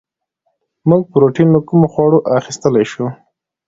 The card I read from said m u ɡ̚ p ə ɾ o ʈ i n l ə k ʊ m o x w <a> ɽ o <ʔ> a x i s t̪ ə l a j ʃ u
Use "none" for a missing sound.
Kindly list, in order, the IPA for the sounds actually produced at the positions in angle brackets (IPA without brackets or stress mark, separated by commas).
ɑ, ʔ